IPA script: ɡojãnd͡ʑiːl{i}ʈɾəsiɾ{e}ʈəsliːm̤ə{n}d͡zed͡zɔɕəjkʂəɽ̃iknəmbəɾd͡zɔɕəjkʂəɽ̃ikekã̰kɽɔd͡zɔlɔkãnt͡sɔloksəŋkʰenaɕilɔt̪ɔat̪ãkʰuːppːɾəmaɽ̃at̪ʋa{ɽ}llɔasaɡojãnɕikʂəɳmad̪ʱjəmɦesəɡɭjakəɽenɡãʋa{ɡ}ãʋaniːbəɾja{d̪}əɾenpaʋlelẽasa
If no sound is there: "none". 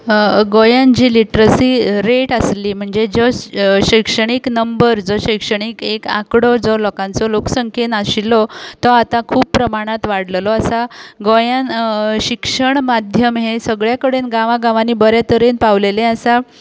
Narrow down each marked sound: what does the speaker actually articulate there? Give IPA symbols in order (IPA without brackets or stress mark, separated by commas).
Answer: i, e, ɳ, ɽ, ɡ, t̪